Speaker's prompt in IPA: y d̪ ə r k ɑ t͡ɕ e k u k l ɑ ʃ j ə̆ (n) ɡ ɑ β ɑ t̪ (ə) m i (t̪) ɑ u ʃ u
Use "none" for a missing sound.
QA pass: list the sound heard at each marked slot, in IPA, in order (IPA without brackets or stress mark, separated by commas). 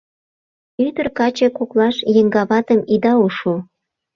ŋ, ə, d̪